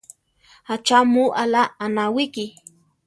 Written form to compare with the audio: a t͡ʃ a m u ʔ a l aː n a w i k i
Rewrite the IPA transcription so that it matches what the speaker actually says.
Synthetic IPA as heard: a t͡ʃ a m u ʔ a l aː n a w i k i